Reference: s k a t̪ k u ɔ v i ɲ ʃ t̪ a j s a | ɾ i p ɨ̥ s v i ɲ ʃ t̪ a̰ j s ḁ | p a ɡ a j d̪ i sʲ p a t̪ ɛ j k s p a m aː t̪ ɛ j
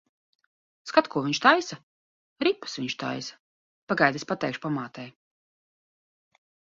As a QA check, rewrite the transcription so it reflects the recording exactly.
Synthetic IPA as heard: s k a t̪ k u ɔ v i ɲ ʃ t̪ a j s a | ɾ i p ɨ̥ s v i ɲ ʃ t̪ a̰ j s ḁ | p a ɡ a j d̪ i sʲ p a t̪ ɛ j k ʃ p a m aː t̪ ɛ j